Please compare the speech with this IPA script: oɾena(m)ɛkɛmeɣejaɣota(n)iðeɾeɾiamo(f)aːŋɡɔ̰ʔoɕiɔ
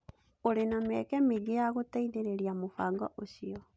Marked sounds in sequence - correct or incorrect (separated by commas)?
correct, incorrect, correct